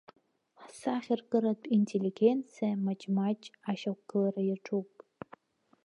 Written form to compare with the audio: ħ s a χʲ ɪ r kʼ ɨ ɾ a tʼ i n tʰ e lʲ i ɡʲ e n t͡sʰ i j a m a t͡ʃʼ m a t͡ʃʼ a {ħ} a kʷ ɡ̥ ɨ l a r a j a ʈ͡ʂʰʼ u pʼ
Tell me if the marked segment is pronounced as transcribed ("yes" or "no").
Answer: no